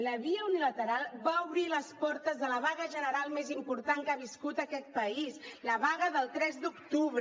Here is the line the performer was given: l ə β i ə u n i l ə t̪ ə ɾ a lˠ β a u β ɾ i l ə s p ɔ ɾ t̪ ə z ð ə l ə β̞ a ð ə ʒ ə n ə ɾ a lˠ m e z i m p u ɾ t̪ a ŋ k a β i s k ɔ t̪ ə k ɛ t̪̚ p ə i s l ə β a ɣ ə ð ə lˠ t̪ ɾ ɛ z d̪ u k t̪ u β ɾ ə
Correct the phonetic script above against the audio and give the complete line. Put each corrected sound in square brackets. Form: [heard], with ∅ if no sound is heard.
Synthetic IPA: l ə β i ə u n i l ə t̪ ə ɾ a lˠ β a u β ɾ i l ə s p ɔ ɾ t̪ ə z ð ə l ə β̞ a [ɣ] ə ʒ ə n ə ɾ a lˠ m e z i m p u ɾ t̪ a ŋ k a β i s k [u] t̪ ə k ɛ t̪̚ p ə i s l ə β a ɣ ə ð ə lˠ t̪ ɾ ɛ z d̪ u k t̪ u β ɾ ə